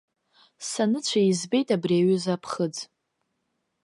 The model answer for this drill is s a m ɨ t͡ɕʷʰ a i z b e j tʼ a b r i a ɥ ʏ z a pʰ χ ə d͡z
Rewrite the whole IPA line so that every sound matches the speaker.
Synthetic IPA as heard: s a n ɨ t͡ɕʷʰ a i z b e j tʼ a b r i a ɥ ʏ z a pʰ χ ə d͡z